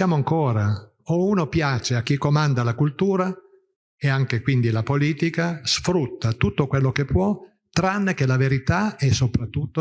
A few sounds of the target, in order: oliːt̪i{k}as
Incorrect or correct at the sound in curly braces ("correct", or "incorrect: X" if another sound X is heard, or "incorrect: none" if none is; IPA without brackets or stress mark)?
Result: correct